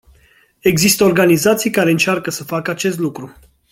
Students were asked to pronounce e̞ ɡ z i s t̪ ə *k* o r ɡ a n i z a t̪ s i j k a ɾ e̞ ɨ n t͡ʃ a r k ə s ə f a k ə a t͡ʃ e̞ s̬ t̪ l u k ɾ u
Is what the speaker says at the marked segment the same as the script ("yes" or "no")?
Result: no